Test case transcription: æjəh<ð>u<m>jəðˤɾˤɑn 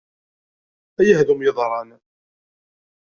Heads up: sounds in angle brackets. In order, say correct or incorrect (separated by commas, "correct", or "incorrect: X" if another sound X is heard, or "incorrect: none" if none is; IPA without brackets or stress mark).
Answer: correct, correct